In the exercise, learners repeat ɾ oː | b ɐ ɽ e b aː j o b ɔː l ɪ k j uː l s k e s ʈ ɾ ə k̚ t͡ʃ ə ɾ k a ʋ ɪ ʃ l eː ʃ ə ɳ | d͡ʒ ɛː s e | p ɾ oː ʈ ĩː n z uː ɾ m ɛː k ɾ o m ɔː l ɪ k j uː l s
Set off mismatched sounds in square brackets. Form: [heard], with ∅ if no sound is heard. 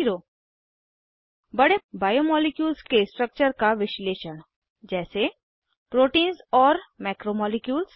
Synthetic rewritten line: ɾ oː | b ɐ ɽ e b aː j o [m] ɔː l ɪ k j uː l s k e s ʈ ɾ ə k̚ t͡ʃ ə ɾ k a ʋ ɪ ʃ l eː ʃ ə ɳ | d͡ʒ ɛː s e | p ɾ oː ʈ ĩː n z [ɔː] ɾ m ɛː k ɾ o m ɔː l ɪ k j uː l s